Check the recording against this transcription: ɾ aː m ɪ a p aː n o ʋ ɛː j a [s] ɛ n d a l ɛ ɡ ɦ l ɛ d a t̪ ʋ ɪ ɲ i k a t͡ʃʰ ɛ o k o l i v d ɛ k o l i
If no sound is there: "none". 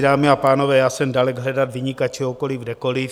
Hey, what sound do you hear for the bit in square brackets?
s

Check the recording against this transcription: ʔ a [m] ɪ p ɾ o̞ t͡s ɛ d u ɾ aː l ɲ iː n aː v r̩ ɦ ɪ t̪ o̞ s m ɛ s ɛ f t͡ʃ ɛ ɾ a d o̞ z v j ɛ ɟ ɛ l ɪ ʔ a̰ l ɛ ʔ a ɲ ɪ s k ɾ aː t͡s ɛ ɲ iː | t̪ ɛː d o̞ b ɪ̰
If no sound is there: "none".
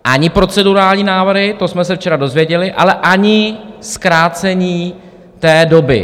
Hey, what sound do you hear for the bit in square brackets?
ɲ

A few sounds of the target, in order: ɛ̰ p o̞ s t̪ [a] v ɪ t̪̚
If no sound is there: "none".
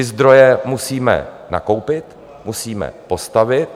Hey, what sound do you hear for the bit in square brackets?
a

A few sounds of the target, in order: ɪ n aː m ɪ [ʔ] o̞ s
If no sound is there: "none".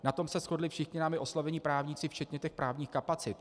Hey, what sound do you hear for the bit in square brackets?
ʔ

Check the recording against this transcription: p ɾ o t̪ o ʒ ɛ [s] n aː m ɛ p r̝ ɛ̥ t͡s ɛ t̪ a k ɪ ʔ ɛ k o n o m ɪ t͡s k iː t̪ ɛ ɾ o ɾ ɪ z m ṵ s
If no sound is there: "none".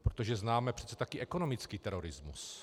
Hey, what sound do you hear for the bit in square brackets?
z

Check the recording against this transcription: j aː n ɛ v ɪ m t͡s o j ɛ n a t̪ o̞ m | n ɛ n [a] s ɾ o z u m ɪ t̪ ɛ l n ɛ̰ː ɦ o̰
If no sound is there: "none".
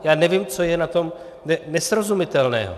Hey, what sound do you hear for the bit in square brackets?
ɛ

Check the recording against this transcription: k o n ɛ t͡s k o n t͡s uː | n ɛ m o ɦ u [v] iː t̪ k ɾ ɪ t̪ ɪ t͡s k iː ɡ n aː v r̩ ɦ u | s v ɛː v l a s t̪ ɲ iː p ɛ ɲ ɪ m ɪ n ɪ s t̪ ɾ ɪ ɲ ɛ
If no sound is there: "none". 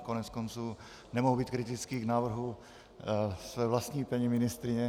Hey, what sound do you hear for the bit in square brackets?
b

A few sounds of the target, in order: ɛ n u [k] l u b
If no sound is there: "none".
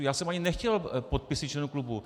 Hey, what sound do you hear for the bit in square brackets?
k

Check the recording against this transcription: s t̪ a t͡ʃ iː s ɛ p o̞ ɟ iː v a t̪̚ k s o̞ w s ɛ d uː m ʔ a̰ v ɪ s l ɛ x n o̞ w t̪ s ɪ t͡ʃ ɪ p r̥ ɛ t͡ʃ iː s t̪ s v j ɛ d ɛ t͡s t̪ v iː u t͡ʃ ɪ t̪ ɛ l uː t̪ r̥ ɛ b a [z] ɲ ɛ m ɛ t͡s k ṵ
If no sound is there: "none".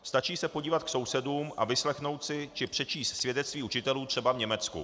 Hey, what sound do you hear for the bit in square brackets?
v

